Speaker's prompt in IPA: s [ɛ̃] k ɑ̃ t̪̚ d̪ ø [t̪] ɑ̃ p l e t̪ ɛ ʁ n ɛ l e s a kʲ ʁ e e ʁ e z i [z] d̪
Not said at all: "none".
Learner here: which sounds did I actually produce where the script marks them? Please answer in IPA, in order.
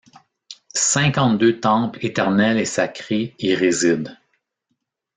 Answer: ɛ̃, t̪, none

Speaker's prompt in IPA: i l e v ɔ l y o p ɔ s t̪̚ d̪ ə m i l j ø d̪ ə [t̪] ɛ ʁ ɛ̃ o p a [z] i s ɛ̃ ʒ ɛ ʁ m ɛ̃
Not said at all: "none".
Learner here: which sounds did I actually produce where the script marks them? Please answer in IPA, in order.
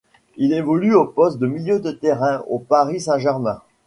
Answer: t̪, ʁ

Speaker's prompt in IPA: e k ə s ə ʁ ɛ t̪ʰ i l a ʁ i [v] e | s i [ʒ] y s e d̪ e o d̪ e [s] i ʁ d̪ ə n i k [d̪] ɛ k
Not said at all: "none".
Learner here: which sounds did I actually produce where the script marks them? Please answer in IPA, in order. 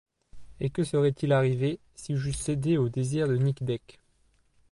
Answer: v, ʒ, z, d̪

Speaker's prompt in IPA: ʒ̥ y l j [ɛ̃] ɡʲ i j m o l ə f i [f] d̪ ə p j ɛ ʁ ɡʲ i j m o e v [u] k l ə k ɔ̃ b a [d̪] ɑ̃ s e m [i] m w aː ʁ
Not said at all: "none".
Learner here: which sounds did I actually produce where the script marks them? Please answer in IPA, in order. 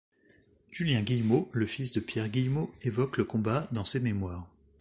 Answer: ɛ̃, s, ɔ, d̪, e

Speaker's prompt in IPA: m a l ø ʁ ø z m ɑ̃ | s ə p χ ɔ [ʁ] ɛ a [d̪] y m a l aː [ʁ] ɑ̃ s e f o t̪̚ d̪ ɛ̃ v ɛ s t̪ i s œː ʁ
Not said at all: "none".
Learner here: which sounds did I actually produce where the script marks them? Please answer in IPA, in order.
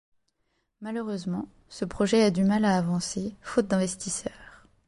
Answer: ʒ, d̪, v

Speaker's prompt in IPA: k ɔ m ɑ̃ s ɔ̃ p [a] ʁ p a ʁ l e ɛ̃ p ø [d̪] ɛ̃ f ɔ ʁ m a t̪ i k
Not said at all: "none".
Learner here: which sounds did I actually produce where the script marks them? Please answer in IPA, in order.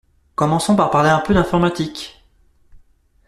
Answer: a, d̪

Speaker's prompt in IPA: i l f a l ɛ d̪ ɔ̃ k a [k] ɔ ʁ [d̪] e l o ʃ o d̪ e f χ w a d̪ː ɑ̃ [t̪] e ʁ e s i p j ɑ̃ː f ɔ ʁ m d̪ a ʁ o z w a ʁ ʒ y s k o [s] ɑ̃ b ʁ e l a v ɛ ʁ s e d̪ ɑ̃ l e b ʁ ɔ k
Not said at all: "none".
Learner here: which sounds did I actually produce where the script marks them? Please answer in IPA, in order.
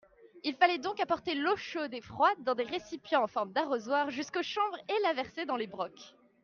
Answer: p, t̪, d̪, ʃ

